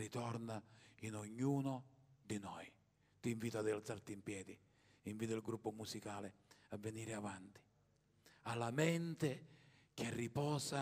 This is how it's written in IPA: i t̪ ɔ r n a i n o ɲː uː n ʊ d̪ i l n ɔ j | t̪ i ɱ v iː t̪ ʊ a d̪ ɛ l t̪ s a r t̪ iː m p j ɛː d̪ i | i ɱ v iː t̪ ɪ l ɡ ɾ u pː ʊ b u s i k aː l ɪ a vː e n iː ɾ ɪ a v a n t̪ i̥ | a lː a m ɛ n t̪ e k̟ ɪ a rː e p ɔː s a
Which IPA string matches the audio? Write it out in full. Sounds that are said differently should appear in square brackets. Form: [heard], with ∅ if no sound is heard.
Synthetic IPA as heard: i t̪ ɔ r n a i n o ɲː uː n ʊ d̪ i [∅] n ɔ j | t̪ i ɱ v iː t̪ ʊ a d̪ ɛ l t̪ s a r t̪ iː m p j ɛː d̪ i | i ɱ v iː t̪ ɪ l ɡ ɾ u pː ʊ [m] u s i k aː l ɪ a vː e n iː ɾ ɪ a v a n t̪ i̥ | a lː a m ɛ n t̪ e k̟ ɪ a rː [i] p ɔː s a